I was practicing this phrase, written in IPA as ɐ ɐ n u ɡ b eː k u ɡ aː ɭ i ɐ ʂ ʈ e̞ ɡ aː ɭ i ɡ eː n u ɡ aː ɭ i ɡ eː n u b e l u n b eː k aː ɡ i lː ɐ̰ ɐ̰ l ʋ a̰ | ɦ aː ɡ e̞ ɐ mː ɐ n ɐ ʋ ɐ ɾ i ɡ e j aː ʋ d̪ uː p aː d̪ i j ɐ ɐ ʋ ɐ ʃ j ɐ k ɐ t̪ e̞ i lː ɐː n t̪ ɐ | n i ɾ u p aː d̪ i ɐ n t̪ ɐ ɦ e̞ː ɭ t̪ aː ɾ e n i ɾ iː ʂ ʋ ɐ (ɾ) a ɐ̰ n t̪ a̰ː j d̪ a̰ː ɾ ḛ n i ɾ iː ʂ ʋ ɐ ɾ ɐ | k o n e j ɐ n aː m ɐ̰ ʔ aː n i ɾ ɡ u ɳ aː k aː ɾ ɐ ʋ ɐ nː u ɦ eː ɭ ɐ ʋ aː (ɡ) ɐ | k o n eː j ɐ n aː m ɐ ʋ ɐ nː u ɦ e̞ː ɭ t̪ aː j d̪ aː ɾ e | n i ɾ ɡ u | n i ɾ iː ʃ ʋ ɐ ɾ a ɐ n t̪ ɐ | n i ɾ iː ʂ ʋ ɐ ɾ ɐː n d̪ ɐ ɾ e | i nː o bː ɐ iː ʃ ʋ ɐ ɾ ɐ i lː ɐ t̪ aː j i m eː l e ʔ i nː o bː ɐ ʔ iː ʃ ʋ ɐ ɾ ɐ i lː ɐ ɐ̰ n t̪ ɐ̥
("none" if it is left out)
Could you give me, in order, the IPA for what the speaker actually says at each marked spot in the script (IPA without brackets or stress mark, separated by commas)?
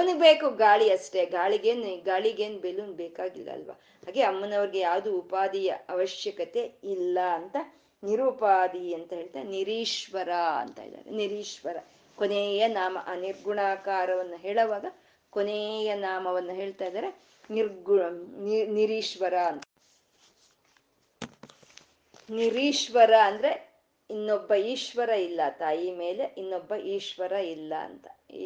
ɾ, ɡ